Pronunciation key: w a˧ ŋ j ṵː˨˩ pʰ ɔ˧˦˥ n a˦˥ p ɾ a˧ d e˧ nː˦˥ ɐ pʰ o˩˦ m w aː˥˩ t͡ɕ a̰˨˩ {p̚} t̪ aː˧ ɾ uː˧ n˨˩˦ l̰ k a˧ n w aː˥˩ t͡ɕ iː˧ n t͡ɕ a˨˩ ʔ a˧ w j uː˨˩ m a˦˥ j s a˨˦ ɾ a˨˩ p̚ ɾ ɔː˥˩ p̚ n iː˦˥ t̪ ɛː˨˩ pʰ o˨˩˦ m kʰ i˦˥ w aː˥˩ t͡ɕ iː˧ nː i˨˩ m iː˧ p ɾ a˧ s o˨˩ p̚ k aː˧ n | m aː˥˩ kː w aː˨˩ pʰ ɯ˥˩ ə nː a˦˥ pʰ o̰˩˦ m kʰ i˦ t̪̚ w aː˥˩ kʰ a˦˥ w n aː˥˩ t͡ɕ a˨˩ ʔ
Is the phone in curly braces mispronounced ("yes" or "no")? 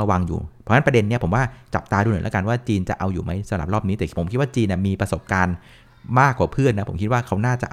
no